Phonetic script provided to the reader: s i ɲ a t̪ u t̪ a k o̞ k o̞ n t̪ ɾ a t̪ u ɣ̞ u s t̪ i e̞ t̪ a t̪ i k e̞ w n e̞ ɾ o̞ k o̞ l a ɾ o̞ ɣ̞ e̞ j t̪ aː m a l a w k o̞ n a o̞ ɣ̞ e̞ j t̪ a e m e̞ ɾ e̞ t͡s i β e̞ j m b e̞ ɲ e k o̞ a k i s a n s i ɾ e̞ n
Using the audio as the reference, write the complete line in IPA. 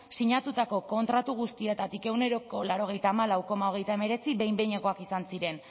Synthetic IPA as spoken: s i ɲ a t̪ u t̪ a k o̞ k o̞ n t̪ ɾ a t̪ u ɣ̞ u s t̪ i e̞ t̪ a t̪ i k e̞ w n e̞ ɾ o̞ k o̞ l a ɾ o̞ ɣ̞ e̞ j t̪ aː m a l a w k o̞ m a o̞ ɣ̞ e̞ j t̪ a e m e̞ ɾ e̞ t͡s i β e̞ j m b e̞ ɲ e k o̞ a k i s a n s i ɾ e̞ n